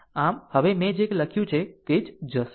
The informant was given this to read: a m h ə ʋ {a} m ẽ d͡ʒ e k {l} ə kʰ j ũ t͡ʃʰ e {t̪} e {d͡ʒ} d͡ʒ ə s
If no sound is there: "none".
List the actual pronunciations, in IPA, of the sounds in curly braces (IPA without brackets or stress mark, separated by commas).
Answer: e, l, t̪, d͡ʒ